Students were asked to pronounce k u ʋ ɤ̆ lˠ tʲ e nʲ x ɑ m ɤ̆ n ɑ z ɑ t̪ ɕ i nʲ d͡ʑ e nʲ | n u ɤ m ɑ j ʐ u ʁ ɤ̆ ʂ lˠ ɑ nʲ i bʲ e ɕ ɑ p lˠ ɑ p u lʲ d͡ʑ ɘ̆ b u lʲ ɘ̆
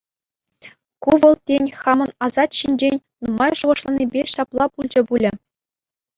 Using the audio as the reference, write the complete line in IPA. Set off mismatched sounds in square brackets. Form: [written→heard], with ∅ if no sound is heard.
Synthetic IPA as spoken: k u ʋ ɤ̆ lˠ tʲ e nʲ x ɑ m ɤ̆ n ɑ z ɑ t̪ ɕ i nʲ d͡ʑ e nʲ | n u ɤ m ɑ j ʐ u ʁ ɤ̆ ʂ lˠ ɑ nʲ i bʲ e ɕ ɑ p lˠ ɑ p u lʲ d͡ʑ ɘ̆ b u lʲ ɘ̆